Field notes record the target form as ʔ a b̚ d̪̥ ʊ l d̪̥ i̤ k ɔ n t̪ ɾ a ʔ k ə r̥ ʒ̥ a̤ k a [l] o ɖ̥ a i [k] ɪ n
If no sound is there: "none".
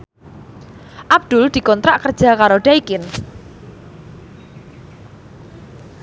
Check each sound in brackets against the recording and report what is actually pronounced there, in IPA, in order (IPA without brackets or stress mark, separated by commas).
ɾ, k